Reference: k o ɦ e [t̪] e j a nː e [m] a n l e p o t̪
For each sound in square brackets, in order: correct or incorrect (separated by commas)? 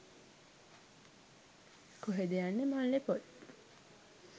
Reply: incorrect, correct